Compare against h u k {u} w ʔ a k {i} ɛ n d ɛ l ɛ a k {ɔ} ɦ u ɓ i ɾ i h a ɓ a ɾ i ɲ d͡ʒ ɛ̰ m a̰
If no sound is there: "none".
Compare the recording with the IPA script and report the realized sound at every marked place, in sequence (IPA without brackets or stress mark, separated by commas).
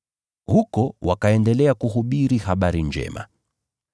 ɔ, a, u